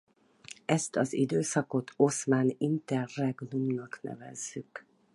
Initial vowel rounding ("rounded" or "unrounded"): unrounded